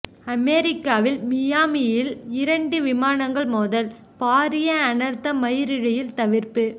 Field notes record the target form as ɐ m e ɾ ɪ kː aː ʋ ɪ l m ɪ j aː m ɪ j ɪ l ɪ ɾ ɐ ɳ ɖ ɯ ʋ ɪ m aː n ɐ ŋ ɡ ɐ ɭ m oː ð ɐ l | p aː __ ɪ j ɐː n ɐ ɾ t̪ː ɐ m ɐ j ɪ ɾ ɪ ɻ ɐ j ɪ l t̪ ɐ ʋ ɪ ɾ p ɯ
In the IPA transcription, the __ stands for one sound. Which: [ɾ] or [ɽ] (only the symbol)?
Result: ɾ